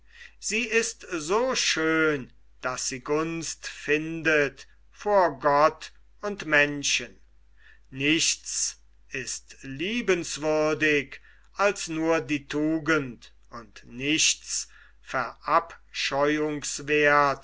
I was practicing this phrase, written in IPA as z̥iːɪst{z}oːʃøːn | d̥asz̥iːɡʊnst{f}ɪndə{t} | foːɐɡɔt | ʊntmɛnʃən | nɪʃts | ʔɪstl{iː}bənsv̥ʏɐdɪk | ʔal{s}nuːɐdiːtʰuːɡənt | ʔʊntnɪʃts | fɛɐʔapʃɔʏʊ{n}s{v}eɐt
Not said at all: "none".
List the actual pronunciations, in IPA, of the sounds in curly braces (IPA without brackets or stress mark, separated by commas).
z, f, t, iː, s, ŋ, v